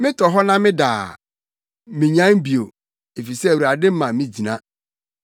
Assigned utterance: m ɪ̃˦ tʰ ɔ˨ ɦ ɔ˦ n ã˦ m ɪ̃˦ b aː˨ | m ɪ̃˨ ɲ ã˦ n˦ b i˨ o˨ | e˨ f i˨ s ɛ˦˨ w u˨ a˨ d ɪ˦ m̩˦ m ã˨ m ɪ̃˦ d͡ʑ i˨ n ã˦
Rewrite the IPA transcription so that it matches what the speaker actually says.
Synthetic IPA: m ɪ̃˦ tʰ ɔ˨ ɦ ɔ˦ n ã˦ m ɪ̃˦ d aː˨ | m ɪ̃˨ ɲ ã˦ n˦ b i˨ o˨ | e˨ f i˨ s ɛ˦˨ w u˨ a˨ d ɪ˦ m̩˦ m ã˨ m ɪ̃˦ d͡ʑ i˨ n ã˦